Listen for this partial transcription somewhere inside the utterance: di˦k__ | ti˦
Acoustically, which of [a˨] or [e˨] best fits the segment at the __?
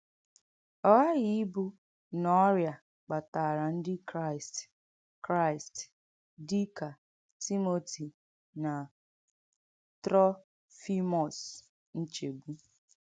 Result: a˨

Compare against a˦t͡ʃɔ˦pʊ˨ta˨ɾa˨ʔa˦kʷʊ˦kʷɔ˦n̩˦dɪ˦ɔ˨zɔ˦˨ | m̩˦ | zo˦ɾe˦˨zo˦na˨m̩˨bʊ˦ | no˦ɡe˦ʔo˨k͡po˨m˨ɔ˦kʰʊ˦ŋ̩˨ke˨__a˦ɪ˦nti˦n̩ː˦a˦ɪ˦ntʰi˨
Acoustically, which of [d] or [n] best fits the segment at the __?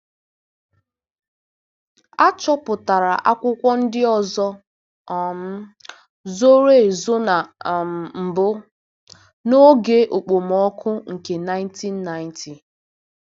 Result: n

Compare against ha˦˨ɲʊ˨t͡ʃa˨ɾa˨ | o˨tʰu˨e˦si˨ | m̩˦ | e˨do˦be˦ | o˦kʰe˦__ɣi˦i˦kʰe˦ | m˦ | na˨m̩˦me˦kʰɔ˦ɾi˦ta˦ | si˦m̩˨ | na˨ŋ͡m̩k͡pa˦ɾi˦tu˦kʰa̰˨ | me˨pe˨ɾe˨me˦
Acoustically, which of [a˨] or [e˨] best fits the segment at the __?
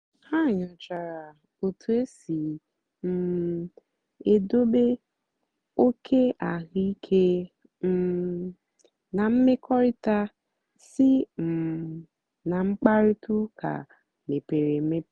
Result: a˨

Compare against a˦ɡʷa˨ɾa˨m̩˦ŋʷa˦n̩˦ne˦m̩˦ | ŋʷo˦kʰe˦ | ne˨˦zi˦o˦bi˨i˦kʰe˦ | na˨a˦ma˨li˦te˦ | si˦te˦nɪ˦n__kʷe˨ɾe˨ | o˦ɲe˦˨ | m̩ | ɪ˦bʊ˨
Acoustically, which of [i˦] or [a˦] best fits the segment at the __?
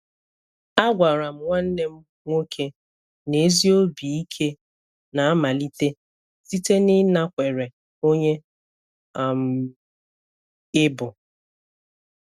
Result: a˦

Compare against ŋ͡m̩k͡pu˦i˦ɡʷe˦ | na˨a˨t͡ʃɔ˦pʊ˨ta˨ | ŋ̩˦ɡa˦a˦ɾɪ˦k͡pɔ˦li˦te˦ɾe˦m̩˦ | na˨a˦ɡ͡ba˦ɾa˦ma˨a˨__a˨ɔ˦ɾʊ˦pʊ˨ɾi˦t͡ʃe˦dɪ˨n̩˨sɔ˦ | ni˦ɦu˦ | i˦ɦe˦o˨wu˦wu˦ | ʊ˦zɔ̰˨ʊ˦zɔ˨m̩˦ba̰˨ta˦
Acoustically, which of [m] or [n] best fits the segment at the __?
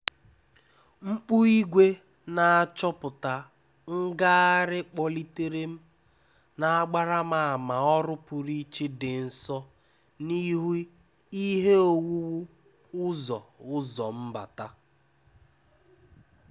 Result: m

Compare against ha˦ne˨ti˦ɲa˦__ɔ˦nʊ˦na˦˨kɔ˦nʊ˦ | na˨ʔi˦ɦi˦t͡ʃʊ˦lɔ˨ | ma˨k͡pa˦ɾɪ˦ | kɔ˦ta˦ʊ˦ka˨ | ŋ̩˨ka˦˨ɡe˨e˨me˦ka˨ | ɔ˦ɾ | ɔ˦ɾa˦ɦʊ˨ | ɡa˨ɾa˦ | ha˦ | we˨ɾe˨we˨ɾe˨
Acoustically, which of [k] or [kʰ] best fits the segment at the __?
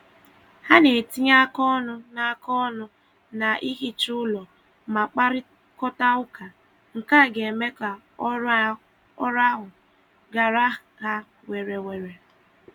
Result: k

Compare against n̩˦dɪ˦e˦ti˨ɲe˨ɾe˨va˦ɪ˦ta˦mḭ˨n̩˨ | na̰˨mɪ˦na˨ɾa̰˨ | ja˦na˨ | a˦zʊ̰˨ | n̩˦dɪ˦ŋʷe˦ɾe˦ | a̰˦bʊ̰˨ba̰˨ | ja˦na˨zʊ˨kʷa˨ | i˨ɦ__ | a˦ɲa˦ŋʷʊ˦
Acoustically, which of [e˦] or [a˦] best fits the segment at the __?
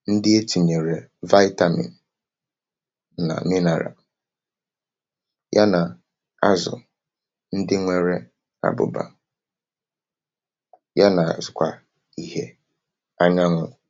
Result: e˦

